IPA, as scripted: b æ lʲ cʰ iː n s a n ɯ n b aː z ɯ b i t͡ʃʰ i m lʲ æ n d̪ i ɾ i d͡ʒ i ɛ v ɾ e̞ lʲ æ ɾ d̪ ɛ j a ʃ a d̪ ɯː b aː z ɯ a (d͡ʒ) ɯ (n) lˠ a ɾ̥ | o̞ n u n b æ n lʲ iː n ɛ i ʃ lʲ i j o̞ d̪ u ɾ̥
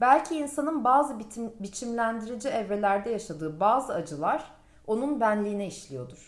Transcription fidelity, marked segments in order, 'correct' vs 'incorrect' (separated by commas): correct, incorrect